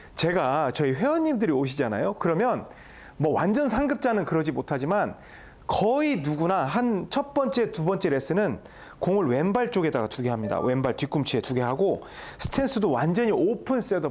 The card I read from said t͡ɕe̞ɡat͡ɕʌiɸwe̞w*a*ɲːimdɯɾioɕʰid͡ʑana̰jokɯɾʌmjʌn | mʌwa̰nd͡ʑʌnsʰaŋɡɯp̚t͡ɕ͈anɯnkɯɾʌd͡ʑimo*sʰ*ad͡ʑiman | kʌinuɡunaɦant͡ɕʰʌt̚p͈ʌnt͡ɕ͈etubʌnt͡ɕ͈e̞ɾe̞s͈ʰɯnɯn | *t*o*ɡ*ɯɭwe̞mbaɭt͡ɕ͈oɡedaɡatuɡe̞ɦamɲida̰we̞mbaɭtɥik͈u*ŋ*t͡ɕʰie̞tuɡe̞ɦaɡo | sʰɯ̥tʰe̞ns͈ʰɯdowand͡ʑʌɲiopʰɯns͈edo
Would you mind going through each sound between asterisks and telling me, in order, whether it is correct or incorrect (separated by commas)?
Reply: incorrect, incorrect, incorrect, incorrect, incorrect